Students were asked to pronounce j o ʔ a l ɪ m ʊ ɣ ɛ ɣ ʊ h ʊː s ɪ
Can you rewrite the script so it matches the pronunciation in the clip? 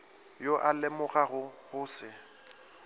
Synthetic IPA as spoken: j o ʔ a l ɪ m ʊ ɣ a ɣ ʊ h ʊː s ɪ